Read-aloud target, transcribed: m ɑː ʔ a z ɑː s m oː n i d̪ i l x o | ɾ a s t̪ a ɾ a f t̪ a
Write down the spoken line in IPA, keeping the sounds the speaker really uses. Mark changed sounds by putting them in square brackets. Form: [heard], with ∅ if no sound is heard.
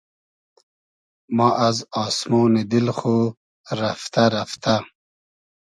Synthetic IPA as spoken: m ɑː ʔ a z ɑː s m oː n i d̪ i l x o | ɾ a [f] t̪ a ɾ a f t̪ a